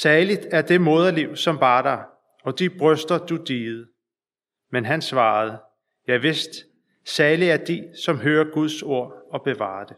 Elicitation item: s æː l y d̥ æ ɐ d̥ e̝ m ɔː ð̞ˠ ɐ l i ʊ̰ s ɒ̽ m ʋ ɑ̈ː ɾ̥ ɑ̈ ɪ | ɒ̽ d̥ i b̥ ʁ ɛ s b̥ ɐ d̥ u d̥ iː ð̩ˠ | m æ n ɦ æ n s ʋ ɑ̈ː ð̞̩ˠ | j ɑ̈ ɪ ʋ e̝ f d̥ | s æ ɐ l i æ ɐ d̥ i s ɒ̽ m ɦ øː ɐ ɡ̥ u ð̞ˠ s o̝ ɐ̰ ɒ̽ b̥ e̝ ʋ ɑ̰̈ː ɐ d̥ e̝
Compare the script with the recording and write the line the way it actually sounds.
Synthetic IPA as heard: s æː l i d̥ æ ɐ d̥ e̝ m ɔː ð̞ˠ ɐ l i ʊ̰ s ɒ̽ m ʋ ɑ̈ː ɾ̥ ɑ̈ ɪ | ɒ̽ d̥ i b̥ ʁ œ s d̥ ɐ d̥ u d̥ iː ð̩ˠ | m e n ɦ æ n s ʋ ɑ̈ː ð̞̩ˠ | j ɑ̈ ɪ ʋ e̝ s d̥ | s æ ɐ l i æ ɐ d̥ i s ɒ̽ m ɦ øː ɐ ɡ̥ u ð̞ˠ s o̝ ɐ̰ ɒ̽ b̥ e̝ ʋ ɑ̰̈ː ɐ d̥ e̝